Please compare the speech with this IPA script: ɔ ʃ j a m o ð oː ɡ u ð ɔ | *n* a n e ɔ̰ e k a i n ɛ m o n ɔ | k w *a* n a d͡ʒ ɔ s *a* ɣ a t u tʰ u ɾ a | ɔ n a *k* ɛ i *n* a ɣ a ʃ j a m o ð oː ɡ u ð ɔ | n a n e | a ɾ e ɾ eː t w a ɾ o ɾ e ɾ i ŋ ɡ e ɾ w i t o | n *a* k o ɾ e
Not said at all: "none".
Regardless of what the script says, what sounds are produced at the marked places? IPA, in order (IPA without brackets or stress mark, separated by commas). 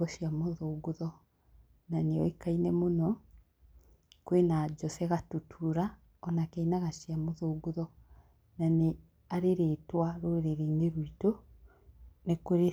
n, e, ɛ, k, n, e